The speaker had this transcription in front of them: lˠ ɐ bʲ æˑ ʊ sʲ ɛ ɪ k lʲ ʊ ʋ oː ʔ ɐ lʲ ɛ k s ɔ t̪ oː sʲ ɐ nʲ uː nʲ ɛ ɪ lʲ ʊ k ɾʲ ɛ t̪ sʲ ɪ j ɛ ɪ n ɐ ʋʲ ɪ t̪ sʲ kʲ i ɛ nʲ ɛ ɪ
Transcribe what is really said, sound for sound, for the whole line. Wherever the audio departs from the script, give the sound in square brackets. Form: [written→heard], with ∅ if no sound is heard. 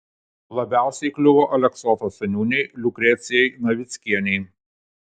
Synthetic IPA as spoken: lˠ ɐ bʲ æˑ ʊ sʲ ɛ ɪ k lʲ ʊ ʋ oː ʔ ɐ lʲ ɛ k s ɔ t̪ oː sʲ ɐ nʲ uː nʲ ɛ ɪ lʲ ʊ k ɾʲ ɛ t̪ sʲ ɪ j ɛ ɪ n ɐ ʋʲ ɪ t̪ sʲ kʲ i ɛ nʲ ɛ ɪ

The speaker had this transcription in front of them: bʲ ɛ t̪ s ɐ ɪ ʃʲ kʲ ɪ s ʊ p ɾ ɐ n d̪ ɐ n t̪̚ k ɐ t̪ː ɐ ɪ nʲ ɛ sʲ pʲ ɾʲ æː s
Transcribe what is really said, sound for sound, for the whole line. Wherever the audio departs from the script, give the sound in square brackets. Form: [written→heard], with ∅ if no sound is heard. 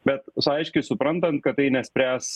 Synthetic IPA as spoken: bʲ ɛ t̪ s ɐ ɪ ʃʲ kʲ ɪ s ʊ p ɾ ɐ n [d̪→t̪] ɐ n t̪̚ k ɐ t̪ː ɐ ɪ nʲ ɛ sʲ pʲ ɾʲ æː s

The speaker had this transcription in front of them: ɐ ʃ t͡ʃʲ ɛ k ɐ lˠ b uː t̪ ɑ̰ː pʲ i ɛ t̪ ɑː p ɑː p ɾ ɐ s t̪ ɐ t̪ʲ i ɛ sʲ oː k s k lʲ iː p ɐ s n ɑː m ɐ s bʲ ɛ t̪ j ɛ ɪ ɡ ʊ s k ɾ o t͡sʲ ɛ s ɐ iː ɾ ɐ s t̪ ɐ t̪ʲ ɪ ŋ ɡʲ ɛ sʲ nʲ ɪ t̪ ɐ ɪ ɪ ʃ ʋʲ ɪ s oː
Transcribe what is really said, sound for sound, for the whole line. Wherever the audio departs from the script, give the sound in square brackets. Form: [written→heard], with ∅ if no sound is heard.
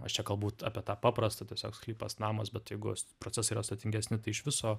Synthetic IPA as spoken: ɐ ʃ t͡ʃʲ ɛ k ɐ lˠ b uː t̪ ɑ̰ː pʲ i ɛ t̪ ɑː p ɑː p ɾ ɐ s t̪ ɐ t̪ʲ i ɛ sʲ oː k s k lʲ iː p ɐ s n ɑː m ɐ s bʲ ɛ t̪ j ɛ ɪ ɡ ʊ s [k→p] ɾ o t͡sʲ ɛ s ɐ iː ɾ ɐ s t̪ ɐ t̪ʲ ɪ ŋ ɡʲ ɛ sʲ nʲ ɪ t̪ ɐ ɪ ɪ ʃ ʋʲ ɪ s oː

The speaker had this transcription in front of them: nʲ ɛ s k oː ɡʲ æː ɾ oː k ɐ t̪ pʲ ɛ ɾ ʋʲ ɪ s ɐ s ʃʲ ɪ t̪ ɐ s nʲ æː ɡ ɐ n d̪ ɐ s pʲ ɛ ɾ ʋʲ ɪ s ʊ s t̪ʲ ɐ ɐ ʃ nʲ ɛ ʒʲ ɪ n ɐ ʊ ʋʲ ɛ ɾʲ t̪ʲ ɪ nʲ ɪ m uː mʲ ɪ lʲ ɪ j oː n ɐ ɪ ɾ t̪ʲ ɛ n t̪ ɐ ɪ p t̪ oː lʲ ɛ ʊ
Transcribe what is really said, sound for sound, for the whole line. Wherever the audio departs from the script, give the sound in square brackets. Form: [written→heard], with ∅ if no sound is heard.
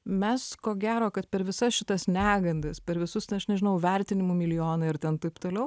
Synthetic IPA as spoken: [nʲ→mʲ] ɛ s k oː ɡʲ æː ɾ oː k ɐ t̪ pʲ ɛ ɾ ʋʲ ɪ s ɐ s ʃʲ ɪ t̪ ɐ s nʲ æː ɡ ɐ n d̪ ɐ s pʲ ɛ ɾ ʋʲ ɪ s ʊ s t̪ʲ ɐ ɐ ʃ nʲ ɛ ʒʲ ɪ n ɐ ʊ ʋʲ ɛ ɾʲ t̪ʲ ɪ nʲ ɪ m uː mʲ ɪ lʲ ɪ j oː n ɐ ɪ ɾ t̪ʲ ɛ n t̪ ɐ ɪ p t̪ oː lʲ ɛ ʊ

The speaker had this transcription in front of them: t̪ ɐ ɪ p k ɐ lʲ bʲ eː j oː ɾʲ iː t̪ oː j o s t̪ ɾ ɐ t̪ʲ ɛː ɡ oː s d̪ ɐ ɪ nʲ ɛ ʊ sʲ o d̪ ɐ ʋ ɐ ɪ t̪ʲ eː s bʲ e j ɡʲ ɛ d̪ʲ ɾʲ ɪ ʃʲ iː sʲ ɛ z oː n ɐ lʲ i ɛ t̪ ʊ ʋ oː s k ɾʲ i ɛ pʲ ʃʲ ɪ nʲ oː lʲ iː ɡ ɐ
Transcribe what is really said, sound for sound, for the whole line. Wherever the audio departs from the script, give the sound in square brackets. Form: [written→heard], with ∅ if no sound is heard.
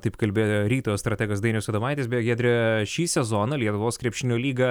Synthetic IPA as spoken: t̪ ɐ ɪ p k ɐ lʲ bʲ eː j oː ɾʲ iː t̪ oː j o s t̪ ɾ ɐ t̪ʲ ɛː ɡ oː s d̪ ɐ ɪ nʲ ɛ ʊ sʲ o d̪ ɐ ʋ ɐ ɪ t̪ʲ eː s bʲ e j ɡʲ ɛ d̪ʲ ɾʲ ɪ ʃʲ iː sʲ ɛ z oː n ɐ lʲ i ɛ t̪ ʊ ʋ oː s k ɾʲ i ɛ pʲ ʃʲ ɪ nʲ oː lʲ iː ɡ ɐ

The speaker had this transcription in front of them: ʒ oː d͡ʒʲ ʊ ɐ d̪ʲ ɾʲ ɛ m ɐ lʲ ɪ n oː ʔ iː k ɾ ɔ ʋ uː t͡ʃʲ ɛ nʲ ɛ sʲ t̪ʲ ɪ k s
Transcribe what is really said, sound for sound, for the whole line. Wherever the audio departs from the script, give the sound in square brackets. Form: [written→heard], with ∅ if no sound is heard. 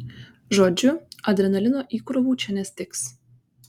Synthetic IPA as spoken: ʒ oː d͡ʒʲ ʊ ɐ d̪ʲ ɾʲ ɛ [m→n] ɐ lʲ ɪ n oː ʔ iː k ɾ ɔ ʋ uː t͡ʃʲ ɛ nʲ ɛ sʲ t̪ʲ ɪ k s

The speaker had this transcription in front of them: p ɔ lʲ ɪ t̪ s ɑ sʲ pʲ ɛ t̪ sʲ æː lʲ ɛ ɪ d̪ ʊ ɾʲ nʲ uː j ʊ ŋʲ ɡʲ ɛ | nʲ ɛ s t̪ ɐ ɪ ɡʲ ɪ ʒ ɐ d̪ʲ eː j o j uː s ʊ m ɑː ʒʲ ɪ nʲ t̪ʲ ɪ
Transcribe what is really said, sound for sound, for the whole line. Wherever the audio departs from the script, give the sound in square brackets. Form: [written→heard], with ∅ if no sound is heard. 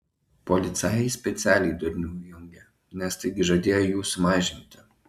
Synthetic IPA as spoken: p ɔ lʲ ɪ t̪ s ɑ sʲ pʲ ɛ t̪ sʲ æː lʲ ɛ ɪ d̪ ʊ ɾʲ nʲ uː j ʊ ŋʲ ɡʲ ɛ | nʲ ɛ s t̪ ɐ ɪ ɡʲ ɪ ʒ ɐ d̪ʲ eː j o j uː s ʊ m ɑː ʒʲ ɪ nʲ t̪ʲ ɪ

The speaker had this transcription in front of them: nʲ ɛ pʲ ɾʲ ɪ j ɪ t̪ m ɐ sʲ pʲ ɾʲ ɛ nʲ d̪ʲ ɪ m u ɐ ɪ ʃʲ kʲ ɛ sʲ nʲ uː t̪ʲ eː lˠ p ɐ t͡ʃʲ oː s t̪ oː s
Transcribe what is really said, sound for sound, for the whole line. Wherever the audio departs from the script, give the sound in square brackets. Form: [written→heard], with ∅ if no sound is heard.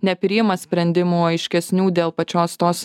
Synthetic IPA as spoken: nʲ ɛ pʲ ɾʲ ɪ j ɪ [t̪→∅] m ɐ sʲ pʲ ɾʲ ɛ nʲ d̪ʲ ɪ m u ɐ ɪ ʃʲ kʲ ɛ sʲ nʲ uː [t̪ʲ→d̪ʲ] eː lˠ p ɐ t͡ʃʲ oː s t̪ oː s

